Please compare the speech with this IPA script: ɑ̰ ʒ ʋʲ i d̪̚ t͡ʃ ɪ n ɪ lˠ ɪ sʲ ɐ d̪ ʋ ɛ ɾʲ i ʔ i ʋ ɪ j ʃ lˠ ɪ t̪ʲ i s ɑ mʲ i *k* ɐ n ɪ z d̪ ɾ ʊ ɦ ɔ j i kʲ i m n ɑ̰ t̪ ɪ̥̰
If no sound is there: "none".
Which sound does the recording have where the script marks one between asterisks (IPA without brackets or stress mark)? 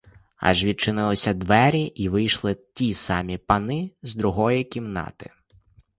p